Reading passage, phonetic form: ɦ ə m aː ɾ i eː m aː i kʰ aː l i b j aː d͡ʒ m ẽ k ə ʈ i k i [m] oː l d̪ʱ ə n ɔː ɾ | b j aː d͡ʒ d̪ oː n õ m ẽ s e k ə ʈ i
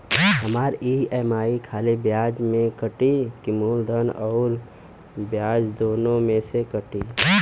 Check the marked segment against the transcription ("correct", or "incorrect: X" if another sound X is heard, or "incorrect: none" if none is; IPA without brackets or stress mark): correct